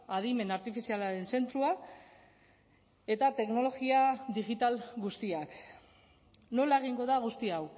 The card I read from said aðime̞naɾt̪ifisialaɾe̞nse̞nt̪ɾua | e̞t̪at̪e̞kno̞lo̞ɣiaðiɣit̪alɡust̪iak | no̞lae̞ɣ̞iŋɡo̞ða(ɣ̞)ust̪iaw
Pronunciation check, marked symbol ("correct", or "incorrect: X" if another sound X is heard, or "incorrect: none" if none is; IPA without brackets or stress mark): correct